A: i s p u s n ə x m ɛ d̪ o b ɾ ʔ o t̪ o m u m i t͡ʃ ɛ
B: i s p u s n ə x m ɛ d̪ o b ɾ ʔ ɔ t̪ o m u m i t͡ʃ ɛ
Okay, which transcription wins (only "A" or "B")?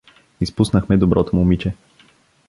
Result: B